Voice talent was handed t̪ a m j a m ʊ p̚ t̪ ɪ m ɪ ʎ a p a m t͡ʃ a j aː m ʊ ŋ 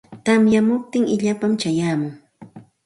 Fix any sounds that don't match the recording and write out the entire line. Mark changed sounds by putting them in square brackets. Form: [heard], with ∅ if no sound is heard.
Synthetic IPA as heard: t̪ a m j a m ʊ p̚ t̪ ɪ [ŋ] ɪ ʎ a p a m t͡ʃ a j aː m ʊ ŋ